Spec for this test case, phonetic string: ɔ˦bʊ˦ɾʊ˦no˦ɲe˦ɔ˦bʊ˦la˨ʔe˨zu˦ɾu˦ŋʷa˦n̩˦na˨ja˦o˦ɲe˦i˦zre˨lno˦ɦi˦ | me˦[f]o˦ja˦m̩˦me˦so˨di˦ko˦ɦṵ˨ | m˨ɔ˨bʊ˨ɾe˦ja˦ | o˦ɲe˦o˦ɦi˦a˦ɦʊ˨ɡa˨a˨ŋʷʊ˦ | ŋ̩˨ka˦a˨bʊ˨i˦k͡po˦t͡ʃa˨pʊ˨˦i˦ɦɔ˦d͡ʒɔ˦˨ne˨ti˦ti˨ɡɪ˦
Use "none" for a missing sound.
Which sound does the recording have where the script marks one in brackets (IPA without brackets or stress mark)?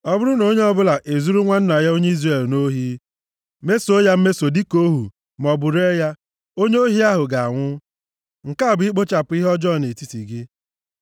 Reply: s